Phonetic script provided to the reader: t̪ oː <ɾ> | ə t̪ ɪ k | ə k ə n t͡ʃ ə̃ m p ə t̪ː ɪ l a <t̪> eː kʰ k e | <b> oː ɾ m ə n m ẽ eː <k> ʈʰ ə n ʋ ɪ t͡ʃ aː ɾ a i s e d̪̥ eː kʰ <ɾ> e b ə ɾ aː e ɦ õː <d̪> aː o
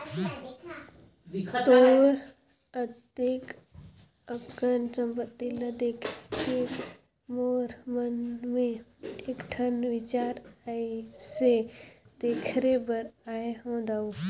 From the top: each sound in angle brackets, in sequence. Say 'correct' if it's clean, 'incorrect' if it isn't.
correct, incorrect: d̪, incorrect: m, correct, correct, correct

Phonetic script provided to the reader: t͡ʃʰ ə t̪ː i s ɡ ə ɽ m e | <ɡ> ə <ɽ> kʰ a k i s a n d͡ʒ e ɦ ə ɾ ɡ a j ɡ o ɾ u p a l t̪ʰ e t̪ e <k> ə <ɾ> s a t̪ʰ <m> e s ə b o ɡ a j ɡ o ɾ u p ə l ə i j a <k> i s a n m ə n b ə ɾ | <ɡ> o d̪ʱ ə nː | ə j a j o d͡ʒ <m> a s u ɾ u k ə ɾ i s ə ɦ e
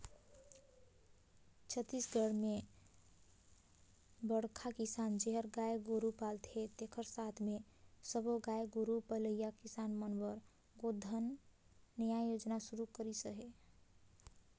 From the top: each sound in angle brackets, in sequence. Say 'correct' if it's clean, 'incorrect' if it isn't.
incorrect: b, correct, incorrect: kʰ, correct, correct, correct, correct, incorrect: n

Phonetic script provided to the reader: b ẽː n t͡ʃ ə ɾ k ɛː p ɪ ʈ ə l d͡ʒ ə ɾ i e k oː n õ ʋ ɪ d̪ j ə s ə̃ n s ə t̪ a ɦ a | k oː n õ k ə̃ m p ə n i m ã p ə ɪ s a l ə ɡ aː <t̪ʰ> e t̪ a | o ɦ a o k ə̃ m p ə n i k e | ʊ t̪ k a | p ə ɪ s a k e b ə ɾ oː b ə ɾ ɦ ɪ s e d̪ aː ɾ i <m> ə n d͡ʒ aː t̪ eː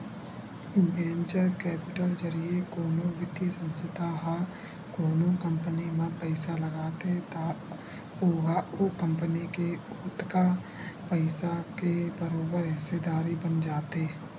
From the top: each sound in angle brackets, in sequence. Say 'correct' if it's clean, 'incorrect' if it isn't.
incorrect: t̪, incorrect: b

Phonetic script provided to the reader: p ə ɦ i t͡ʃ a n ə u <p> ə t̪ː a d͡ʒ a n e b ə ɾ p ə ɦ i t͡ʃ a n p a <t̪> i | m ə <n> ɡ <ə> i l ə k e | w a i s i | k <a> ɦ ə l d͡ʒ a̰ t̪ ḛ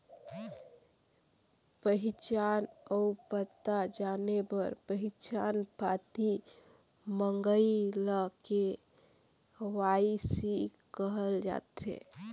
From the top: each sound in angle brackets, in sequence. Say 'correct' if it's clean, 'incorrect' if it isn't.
correct, correct, incorrect: ŋ, correct, incorrect: ə

